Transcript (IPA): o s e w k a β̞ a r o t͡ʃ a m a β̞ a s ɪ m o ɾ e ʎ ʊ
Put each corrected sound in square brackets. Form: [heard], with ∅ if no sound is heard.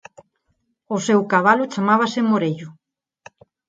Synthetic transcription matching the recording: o s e w k a β̞ a [l] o t͡ʃ a m a β̞ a s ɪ m o ɾ e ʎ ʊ